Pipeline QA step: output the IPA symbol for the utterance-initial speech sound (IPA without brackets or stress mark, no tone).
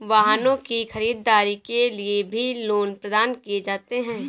ʋ